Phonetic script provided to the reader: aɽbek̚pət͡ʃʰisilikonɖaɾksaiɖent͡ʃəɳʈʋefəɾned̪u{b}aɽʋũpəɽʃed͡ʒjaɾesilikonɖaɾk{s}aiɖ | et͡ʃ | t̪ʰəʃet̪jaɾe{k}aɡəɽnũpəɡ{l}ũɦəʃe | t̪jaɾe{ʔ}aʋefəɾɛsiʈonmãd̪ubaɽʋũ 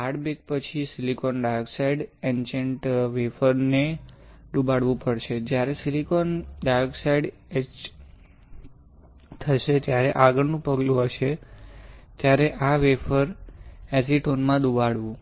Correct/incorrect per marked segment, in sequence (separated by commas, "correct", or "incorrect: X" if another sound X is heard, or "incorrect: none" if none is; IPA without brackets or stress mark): correct, correct, incorrect: ʔ, correct, correct